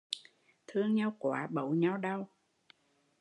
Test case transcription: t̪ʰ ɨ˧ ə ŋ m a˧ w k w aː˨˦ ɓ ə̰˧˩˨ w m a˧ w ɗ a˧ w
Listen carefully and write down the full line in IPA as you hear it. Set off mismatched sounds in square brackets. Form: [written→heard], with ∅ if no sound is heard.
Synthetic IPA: t̪ʰ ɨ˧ ə ŋ [m→ɲ] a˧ w k w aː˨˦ ɓ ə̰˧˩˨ w [m→ɲ] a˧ w ɗ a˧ w